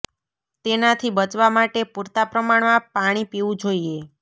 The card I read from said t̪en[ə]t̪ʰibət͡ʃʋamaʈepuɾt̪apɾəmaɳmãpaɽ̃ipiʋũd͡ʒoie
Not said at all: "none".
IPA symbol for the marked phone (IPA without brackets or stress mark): a